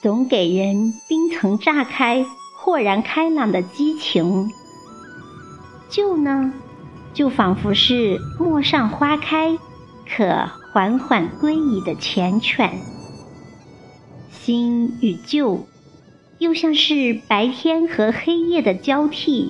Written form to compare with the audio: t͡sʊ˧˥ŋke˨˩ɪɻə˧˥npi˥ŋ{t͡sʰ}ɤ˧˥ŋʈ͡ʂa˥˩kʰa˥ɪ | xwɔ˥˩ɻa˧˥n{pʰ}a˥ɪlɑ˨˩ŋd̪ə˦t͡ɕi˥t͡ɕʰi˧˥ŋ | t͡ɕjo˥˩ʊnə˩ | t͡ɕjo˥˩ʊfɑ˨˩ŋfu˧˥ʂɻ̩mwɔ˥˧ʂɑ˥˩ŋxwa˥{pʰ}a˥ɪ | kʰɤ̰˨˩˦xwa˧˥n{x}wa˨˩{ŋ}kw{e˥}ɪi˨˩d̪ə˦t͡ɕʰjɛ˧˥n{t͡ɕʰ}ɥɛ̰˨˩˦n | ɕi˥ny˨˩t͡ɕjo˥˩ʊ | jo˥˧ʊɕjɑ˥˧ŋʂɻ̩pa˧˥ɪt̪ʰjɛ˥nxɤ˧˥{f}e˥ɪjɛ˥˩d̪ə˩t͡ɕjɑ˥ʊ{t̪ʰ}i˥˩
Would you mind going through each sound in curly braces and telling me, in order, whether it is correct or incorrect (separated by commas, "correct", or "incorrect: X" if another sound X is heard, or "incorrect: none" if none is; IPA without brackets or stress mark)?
correct, incorrect: kʰ, incorrect: kʰ, correct, incorrect: n, correct, correct, incorrect: x, correct